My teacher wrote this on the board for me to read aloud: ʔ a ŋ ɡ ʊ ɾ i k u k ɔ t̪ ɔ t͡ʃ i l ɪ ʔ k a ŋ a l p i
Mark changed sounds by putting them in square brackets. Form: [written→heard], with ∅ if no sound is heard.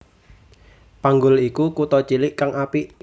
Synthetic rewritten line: [ʔ→p] a ŋ ɡ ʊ [ɾ→l] i k u k [ɔ→u] t̪ ɔ t͡ʃ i l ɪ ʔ k a ŋ a [l→∅] p i